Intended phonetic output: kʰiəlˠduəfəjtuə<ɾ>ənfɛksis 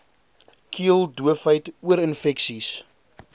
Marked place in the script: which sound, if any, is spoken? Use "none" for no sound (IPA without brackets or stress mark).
ɾ